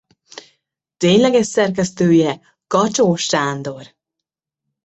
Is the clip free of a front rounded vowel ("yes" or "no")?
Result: no